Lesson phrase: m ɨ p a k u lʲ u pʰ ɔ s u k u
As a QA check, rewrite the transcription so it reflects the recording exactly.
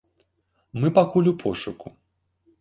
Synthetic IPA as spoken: m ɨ p a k u lʲ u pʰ ɔ ʂ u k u